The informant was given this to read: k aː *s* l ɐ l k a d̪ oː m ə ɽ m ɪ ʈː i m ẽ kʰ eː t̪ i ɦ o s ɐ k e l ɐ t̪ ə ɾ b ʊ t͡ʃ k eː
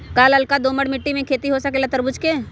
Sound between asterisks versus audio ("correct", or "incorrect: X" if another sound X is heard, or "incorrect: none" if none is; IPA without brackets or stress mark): incorrect: none